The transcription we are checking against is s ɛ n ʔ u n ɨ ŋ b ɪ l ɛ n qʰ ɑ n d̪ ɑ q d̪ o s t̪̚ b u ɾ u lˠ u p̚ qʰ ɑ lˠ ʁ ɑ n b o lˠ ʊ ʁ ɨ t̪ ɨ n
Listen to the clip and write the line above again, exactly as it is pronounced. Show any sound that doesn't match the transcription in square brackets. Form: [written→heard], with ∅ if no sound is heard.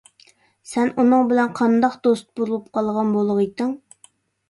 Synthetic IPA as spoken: s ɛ n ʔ u n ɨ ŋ b ɪ l ɛ n qʰ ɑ n d̪ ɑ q d̪ o s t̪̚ b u ɾ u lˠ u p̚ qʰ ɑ lˠ ʁ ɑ n b o lˠ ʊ ʁ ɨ t̪ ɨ [n→ŋ]